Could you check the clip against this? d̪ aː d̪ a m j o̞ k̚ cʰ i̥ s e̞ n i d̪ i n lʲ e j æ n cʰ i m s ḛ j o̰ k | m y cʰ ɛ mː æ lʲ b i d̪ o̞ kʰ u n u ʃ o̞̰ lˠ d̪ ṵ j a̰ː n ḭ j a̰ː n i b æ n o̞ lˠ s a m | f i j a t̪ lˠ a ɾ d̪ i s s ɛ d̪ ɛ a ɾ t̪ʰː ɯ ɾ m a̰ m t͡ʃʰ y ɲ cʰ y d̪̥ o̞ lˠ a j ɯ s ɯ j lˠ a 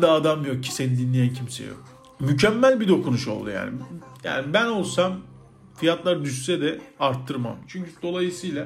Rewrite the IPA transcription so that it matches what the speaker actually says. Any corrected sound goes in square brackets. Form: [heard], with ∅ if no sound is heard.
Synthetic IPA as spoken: d̪ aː d̪ a m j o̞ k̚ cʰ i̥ s e̞ n i d̪ i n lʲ e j æ n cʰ i m s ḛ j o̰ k | m y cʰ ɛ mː æ lʲ b i d̪ o̞ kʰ u n u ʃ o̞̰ lˠ d̪ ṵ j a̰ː n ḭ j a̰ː n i b æ n o̞ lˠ s a m | f i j a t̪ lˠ a ɾ d̪ [y] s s ɛ d̪ ɛ a ɾ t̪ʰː ɯ ɾ m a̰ m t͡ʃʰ y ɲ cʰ y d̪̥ o̞ lˠ a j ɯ s ɯ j lˠ a